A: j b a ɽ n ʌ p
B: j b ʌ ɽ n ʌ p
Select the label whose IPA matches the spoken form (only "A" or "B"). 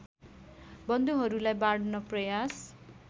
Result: A